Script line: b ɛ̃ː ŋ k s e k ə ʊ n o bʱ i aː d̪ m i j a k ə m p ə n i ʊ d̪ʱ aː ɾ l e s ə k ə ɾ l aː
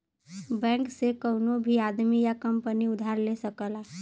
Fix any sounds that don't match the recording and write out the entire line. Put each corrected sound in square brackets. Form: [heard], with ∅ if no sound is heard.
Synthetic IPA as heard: b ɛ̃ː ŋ k s e k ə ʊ n o bʱ i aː d̪ m i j a k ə m p ə n i ʊ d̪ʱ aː ɾ l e s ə k ə [∅] l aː